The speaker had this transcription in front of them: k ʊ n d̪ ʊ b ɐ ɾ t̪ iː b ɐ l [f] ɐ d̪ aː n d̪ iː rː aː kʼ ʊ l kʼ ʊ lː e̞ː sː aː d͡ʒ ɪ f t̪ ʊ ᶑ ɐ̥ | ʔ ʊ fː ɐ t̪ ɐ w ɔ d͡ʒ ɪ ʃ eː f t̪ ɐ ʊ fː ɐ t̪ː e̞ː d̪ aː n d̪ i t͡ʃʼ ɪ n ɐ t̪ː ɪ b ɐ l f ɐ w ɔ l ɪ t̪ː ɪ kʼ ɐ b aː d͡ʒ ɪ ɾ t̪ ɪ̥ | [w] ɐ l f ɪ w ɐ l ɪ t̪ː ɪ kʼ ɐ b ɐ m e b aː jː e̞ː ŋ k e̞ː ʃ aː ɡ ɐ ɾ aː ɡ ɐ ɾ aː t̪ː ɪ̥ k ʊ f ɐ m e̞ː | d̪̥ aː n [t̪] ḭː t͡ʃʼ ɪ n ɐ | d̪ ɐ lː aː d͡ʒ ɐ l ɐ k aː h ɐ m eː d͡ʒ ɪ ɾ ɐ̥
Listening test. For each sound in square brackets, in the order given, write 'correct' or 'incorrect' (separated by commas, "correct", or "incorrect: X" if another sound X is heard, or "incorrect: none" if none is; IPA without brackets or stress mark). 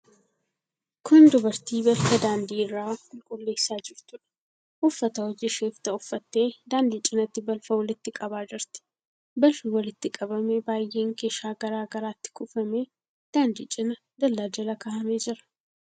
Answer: correct, incorrect: b, incorrect: d̪